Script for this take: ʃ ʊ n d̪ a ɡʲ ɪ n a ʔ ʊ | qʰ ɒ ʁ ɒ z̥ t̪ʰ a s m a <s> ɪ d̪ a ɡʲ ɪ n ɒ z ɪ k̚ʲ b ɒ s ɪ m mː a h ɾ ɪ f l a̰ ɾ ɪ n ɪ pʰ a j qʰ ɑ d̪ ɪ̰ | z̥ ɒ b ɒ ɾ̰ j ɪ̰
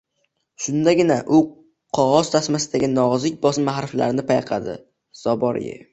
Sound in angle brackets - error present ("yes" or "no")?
no